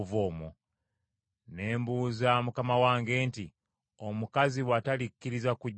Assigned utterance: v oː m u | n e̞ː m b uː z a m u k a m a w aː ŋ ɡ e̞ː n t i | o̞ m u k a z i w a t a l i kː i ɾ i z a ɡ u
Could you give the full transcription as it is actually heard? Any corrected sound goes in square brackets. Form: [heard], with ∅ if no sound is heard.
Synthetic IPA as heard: v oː m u | n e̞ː m b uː z a m u k a m a w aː ŋ ɡ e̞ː n t i | o̞ m u k a z i w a t a l i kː i ɾ i z a [k] u

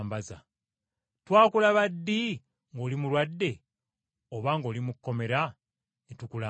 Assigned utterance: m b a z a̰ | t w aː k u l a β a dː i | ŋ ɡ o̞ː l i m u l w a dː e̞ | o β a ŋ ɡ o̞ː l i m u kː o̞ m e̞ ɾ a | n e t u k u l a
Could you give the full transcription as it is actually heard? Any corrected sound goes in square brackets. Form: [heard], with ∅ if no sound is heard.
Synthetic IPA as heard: m b a z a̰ | t w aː k u l a β a dː i | ŋ ɡ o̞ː l i m u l w a dː e̞ | o β a ŋ ɡ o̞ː l i m u kː o̞ m e̞ ɾ a | n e t u k u l a

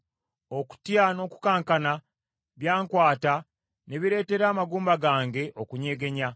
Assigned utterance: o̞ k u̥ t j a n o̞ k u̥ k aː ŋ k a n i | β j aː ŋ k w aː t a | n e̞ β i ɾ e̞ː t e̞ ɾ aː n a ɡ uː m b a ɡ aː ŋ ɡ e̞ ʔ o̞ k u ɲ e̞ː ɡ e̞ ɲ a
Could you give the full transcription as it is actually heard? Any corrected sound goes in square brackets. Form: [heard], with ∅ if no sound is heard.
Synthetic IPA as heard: o̞ k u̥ t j a n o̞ k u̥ k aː ŋ k a n [a] | β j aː ŋ k w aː t a | n e̞ β i ɾ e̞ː t e̞ ɾ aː [m] a ɡ uː m b a ɡ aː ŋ ɡ e̞ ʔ o̞ k u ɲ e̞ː ɡ e̞ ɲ a

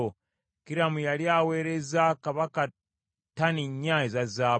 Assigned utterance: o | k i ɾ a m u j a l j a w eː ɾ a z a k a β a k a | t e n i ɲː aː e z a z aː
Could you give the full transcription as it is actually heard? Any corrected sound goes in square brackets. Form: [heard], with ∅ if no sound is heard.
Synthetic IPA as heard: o | k i ɾ a m u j a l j a w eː ɾ [e] z a k a β a k a | t [a] n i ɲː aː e z a z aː

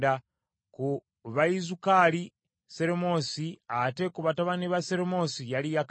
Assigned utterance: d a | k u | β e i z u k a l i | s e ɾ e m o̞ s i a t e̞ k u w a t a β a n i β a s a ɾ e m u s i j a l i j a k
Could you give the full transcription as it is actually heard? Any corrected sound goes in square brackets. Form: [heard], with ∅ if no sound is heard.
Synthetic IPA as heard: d a | k u | β [a] i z u k a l i | s e ɾ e m o̞ s i a t e̞ k u [β] a t a β a n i β a s [e] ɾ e m [o] s i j a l i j a k

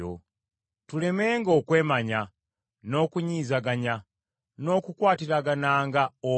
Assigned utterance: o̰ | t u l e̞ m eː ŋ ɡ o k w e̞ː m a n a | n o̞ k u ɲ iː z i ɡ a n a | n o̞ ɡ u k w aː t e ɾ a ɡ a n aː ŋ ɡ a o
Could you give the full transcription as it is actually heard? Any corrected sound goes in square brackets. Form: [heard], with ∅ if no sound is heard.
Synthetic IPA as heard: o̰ | t u l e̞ m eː ŋ ɡ o k w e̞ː m a [ɲ] a | n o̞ k u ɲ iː z [a] ɡ a [ɲ] a | n o̞ [k] u k w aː t [i] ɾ a ɡ a n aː ŋ ɡ a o

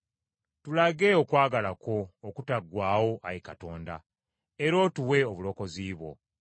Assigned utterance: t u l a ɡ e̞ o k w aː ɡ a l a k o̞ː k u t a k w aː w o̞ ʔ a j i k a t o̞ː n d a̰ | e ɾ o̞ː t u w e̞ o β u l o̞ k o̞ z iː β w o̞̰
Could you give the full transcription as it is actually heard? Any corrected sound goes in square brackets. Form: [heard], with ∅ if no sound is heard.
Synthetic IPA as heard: t u l a ɡ e̞ o k w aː ɡ a l a k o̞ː k u t a [ɡ] w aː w o̞ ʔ a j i k a t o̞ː n d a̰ | e ɾ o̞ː t u w e̞ o β u l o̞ k o̞ z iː β w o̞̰

